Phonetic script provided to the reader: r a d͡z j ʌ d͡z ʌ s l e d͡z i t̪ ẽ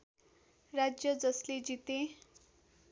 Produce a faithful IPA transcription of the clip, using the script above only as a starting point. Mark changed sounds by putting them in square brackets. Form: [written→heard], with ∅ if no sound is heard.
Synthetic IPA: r a d͡z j ʌ d͡z ʌ s l e d͡z i t̪ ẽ